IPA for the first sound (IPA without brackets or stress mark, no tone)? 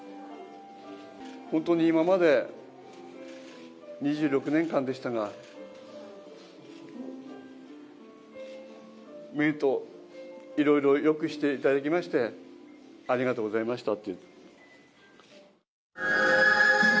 h